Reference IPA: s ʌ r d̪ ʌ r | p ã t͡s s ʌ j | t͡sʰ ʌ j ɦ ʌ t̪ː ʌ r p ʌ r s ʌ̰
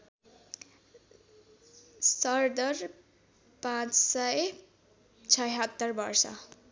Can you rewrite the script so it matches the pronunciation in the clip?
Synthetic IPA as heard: s ʌ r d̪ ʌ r | p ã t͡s s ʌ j | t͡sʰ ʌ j ɦ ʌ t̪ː ʌ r b ʌ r s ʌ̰